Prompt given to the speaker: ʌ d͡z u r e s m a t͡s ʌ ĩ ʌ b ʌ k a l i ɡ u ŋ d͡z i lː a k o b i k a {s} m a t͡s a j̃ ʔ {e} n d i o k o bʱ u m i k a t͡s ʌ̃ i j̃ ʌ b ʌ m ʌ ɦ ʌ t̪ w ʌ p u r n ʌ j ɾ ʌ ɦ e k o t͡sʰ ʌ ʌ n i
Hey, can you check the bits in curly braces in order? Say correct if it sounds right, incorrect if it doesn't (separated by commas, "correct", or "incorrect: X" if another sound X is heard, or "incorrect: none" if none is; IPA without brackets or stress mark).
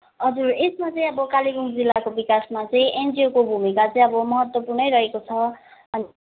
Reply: correct, correct